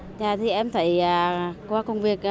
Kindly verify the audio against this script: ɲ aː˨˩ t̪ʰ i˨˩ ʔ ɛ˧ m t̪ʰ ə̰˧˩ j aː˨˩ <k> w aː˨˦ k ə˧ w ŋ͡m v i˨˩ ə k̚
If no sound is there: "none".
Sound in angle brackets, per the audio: k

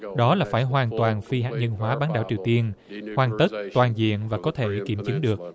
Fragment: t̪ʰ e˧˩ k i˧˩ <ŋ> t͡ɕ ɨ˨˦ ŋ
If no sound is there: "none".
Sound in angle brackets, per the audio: m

